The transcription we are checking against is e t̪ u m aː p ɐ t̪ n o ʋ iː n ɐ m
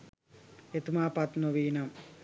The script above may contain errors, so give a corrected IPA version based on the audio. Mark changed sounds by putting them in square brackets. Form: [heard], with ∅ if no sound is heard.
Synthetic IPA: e t̪ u m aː p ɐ t̪ n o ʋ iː n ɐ m

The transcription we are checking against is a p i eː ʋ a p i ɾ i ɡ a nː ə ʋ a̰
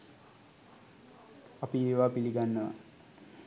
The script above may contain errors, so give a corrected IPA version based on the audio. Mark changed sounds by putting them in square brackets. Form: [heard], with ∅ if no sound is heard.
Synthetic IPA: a p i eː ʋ a p i [l] i ɡ a nː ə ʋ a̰

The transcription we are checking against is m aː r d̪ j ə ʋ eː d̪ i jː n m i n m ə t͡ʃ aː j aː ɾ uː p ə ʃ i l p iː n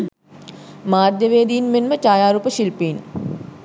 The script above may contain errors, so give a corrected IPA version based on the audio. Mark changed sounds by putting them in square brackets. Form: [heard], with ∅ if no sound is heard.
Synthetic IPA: m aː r d̪ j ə ʋ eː d̪ i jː n m [e] n m ə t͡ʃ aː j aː ɾ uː p ə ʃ i l p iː n

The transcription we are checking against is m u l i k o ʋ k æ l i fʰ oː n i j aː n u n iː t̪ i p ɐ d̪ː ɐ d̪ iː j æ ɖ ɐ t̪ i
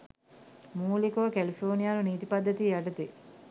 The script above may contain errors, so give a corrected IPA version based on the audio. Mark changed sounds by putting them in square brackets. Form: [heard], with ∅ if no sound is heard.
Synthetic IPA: m [uː] l i k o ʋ k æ l i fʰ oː n i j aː n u n iː t̪ i p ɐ d̪ː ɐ [t̪] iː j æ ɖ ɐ t̪ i

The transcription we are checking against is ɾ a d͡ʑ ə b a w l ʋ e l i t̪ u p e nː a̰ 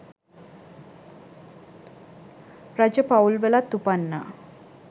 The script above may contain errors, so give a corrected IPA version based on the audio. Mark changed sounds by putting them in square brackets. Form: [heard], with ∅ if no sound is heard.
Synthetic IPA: ɾ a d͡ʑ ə [p] a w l ʋ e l [a] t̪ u p [a] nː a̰

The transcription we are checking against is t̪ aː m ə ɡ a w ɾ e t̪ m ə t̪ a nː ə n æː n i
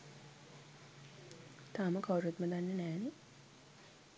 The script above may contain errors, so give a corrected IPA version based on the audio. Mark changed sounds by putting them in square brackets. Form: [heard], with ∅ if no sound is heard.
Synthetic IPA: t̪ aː m ə [k] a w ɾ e t̪ m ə [d̪] a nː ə n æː n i

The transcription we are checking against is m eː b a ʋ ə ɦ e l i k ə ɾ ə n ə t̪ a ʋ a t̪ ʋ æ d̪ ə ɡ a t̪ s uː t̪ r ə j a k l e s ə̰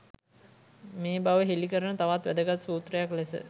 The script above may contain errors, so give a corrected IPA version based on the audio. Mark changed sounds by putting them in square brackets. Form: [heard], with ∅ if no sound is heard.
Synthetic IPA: m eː b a ʋ ə ɦ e l i k ə ɾ ə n ə t̪ a ʋ a t̪ ʋ æ d̪ ə ɡ a t̪ s uː t̪ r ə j a k l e s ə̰

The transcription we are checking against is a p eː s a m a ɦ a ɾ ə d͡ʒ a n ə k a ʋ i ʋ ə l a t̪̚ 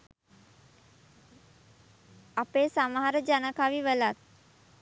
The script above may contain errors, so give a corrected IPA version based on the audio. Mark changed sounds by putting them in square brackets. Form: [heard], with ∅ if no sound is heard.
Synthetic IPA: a p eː s a m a ɦ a ɾ ə d͡ʒ a n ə k a ʋ i ʋ ə l a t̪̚

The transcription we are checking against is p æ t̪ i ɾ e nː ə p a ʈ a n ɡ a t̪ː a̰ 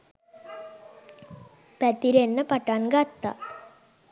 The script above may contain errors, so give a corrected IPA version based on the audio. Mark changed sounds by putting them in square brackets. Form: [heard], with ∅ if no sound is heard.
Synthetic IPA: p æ t̪ i ɾ e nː ə p a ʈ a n ɡ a t̪ː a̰

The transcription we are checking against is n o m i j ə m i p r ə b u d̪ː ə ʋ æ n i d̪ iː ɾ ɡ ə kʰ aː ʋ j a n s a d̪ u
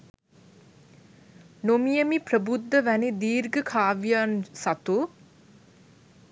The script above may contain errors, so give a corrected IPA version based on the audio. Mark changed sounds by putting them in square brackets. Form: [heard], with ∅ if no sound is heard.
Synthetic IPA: n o m i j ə m i p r ə b u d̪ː ə ʋ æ n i d̪ iː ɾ ɡ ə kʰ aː ʋ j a n s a [t̪] u

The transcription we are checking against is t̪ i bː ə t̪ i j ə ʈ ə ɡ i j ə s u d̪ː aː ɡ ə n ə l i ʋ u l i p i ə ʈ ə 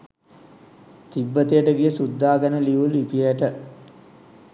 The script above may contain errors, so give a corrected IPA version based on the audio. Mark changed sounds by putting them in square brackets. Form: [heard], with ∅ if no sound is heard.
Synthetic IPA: t̪ i bː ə t̪ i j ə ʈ ə ɡ i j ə s u d̪ː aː ɡ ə n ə l i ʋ u l i p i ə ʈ ə

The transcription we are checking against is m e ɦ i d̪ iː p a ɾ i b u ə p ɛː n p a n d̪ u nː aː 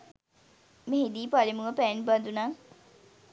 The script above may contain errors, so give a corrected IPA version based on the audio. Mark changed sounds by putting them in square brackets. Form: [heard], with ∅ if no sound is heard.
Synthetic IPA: m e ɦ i d̪ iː p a [l] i [m] u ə p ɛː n [b] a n d̪ u [n] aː

